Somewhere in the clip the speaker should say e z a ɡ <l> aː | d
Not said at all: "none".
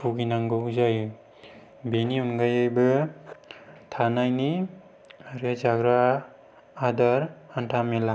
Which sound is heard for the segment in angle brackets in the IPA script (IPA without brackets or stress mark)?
ɾ